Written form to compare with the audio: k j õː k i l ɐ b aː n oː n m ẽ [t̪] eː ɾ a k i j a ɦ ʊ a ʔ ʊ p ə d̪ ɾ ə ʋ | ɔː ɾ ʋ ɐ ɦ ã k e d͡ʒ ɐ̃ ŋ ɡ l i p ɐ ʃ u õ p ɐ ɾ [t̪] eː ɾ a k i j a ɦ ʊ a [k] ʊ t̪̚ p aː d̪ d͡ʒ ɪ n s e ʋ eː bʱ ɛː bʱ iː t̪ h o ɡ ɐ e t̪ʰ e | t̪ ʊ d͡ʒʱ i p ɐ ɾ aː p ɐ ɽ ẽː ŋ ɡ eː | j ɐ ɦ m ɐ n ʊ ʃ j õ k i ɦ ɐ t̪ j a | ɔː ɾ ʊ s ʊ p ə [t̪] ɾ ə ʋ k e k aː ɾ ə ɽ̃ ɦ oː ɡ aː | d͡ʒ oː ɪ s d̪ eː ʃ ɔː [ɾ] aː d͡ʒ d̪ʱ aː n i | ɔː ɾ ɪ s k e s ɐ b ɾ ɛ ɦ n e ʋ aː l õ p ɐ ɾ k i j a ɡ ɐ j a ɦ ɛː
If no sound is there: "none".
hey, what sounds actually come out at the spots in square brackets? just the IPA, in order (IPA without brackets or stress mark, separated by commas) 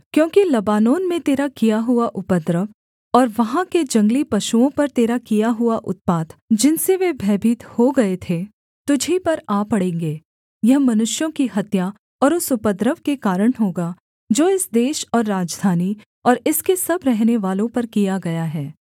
t̪, t̪, ʔ, d̪, ɾː